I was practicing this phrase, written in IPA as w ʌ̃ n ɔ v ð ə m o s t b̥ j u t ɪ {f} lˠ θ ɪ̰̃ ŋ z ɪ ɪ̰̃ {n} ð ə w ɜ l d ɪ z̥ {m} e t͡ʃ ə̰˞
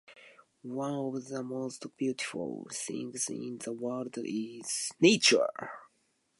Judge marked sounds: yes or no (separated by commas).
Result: yes, yes, no